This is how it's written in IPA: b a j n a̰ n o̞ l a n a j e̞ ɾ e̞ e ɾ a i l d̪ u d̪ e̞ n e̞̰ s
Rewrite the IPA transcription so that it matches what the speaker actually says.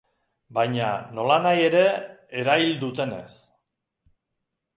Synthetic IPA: b a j ɲ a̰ n o̞ l a n a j e̞ ɾ e̞ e ɾ a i l d̪ u t̪ e̞ n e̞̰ s